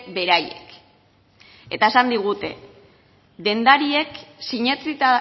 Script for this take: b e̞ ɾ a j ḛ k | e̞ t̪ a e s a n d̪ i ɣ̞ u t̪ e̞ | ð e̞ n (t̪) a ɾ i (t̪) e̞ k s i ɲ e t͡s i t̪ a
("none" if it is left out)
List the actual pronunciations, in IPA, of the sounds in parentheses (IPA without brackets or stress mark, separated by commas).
d̪, none